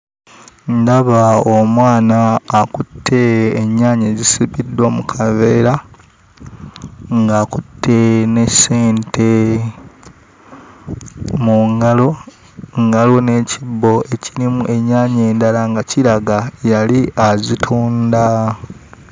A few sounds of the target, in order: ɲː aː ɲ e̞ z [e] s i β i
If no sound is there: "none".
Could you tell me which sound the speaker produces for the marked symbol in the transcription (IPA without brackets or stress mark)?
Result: i